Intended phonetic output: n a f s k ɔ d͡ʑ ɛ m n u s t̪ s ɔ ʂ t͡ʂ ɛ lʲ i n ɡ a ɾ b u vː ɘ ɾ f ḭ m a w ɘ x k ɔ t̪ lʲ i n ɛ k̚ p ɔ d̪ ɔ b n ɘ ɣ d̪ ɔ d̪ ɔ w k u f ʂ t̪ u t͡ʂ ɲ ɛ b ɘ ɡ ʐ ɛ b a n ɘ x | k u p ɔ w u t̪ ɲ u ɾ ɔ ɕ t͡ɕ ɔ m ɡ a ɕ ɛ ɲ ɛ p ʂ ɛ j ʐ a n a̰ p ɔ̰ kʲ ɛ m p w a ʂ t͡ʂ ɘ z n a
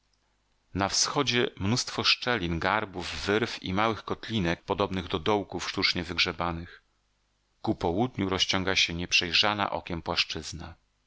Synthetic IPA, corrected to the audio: n a f s x ɔ d͡ʑ ɛ m n u s t̪ f ɔ ʂ t͡ʂ ɛ lʲ i n ɡ a ɾ b u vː ɘ ɾ f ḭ m a w ɘ x k ɔ t̪ lʲ i n ɛ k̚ p ɔ d̪ ɔ b n ɘ ɣ d̪ ɔ d̪ ɔ w k u f ʂ t̪ u t͡ʂ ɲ ɛ v ɘ ɡ ʐ ɛ b a n ɘ x | k u p ɔ w u d̪ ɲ u ɾ ɔ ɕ t͡ɕ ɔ ŋ ɡ a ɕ ɛ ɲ ɛ p ʂ ɛ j ʐ a n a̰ ʔ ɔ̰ kʲ ɛ m p w a ʂ t͡ʂ ɘ z n a

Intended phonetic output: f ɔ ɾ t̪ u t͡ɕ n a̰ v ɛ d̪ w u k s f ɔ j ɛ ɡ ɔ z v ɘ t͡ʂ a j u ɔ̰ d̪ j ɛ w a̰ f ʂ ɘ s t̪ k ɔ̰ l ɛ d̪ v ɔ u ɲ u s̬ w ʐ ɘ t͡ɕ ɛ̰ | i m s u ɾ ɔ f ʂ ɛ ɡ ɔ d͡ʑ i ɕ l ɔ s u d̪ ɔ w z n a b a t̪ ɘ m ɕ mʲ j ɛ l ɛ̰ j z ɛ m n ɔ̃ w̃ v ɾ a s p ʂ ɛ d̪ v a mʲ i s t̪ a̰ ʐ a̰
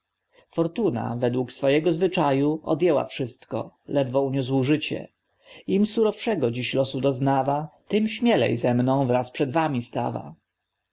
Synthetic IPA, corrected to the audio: f ɔ ɾ t̪ u n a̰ v ɛ d̪ w u k s f ɔ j ɛ ɡ ɔ z v ɘ t͡ʂ a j u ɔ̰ d̪ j ɛ w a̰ f ʂ ɘ s t̪ k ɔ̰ l ɛ d̪ v ɔ u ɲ u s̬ w ʐ ɘ t͡ɕ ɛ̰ | i m s u ɾ ɔ f ʂ ɛ ɡ ɔ d͡ʑ i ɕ l ɔ s u d̪ ɔ z n a v a t̪ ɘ m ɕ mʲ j ɛ l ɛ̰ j z ɛ m n ɔ̃ w̃ v ɾ a s p ʂ ɛ d̪ v a mʲ i s t̪ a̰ v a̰

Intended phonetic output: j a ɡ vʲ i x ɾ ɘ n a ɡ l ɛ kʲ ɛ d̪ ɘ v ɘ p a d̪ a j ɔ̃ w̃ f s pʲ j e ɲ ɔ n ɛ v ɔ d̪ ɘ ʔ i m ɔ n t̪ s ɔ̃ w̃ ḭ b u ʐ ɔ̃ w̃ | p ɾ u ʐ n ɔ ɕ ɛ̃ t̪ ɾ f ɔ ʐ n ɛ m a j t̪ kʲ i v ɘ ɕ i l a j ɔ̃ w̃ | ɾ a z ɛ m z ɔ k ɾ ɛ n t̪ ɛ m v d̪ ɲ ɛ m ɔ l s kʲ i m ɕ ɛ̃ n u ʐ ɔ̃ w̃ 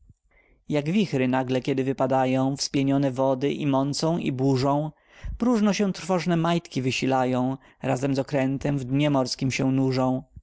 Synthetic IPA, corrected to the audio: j a ɡ vʲ i x ɾ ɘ n a ɡ l ɛ kʲ ɛ d̪ ɘ v ɘ p a d̪ a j ɔ̃ w̃ f s pʲ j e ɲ ɔ n ɛ v ɔ d̪ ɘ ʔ i m ɔ n t̪ s ɔ̃ w̃ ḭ b u ʐ ɔ̃ w̃ | p ɾ u ʐ n ɔ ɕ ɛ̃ t̪ ɾ f ɔ ʐ n ɛ m a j t̪ kʲ i v ɘ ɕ i l a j ɔ̃ w̃ | ɾ a z ɛ m z ɔ k ɾ ɛ n t̪ ɛ m v d̪ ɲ ɛ m ɔ ɾ s kʲ i m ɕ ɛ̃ n u ʐ ɔ̃ w̃

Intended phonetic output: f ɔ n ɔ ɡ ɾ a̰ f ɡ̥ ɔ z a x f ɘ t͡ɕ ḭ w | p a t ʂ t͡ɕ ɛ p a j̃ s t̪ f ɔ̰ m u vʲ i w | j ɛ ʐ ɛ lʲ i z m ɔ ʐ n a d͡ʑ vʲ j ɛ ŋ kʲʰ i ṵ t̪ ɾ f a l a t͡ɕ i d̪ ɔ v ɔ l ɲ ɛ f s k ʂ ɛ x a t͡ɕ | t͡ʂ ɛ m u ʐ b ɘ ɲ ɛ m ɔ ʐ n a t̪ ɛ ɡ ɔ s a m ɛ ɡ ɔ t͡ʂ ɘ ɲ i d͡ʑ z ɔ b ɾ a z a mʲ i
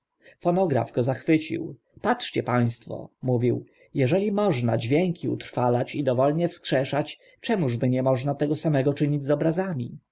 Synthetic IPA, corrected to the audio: f ɔ n ɔ ɡ ɾ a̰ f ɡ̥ ɔ z a x f ɘ t͡ɕ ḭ w | p a t ʂ t͡ɕ ɛ p a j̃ s t̪ f ɔ̰ m u vʲ i w | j ɛ ʐ ɛ lʲ i m ɔ ʐ n a d͡ʑ vʲ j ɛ ŋ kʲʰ i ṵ t̪ ɾ f a l a t͡ɕ i d̪ ɔ v ɔ l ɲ ɛ f s k ʂ ɛ ʂ a t͡ɕ | t͡ʂ ɛ m u ʐ b ɘ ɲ ɛ m ɔ ʐ n a t̪ ɛ ɡ ɔ s a m ɛ ɡ ɔ t͡ʂ ɘ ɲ i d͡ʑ z ɔ b ɾ a z a mʲ i

